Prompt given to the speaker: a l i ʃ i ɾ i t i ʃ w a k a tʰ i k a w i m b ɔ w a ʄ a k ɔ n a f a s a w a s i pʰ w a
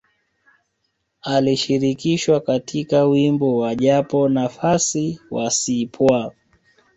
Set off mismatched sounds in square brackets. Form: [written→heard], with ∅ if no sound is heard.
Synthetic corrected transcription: a l i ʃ i ɾ i [t→k] i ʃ w a k a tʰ i k a w i m b ɔ w a ʄ a [k→p] ɔ n a f a s [a→i] w a s i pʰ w a